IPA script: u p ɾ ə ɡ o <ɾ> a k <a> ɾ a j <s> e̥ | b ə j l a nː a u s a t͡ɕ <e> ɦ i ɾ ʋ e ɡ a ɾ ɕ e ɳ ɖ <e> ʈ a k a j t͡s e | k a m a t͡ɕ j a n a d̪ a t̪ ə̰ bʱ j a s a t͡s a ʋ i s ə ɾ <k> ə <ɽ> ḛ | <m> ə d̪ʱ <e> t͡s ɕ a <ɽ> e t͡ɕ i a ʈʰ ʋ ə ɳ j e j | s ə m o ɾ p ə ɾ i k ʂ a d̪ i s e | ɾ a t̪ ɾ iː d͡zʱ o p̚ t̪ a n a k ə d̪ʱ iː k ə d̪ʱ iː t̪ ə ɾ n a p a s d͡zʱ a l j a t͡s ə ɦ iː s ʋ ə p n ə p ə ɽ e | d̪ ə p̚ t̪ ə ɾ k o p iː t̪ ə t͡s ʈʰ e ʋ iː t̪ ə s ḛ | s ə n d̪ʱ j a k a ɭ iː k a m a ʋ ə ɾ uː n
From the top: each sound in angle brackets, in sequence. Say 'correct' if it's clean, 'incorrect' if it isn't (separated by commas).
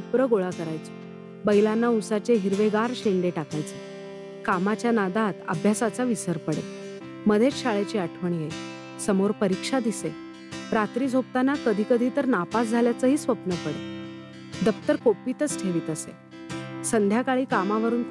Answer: incorrect, incorrect, incorrect, correct, correct, incorrect, correct, correct, correct, incorrect